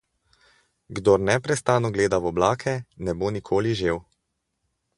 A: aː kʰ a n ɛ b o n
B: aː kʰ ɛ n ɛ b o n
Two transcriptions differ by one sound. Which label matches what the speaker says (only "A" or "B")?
B